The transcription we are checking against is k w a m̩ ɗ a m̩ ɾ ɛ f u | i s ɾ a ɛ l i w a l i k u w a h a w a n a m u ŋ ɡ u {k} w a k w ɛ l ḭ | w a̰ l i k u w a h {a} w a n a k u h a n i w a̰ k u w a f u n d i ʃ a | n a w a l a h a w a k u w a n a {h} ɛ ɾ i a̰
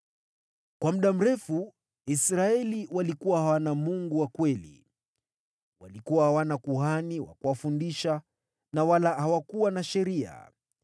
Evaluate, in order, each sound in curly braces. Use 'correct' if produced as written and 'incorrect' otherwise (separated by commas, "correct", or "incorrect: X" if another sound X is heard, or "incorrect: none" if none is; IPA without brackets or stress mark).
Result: incorrect: none, correct, incorrect: ʃ